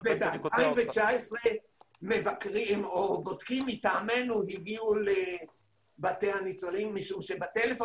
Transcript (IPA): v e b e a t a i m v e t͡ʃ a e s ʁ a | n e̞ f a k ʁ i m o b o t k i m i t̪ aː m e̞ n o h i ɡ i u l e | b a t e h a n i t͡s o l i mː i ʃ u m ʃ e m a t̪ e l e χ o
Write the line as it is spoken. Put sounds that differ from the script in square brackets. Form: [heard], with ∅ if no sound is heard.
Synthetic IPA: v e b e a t a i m v e t͡ʃ a e s ʁ [e] | [m] e̞ [v] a k ʁ i m o b o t k i m i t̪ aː m e̞ n [u] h i ɡ i u l e | b a t e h a n i t͡s o l i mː i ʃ u m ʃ e [b] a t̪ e l e [f] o